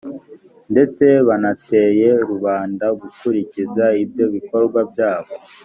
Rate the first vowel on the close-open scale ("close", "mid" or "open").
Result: mid